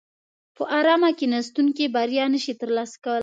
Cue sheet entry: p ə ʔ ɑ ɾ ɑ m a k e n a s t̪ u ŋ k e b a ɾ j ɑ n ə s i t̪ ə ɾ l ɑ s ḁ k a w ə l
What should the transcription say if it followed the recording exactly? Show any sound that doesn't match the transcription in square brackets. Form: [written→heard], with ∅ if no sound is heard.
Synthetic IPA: p ə ʔ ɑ ɾ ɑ m a k e n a s t̪ u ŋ k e b a ɾ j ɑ n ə [s→ʃ] i t̪ ə ɾ l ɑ s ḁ k a w ə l